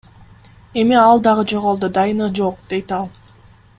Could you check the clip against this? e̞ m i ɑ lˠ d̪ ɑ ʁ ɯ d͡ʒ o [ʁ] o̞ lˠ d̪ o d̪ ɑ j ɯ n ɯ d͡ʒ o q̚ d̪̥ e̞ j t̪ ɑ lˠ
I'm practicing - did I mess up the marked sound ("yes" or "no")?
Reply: no